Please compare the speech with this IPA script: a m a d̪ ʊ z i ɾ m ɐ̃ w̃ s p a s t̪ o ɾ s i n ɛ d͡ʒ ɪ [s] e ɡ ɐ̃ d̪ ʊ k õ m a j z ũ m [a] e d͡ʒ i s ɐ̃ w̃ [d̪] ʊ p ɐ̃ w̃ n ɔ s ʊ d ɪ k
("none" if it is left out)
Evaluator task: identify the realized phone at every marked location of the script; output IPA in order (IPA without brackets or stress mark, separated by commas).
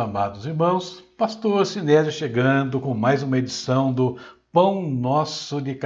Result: ʃ, ɐ, d̪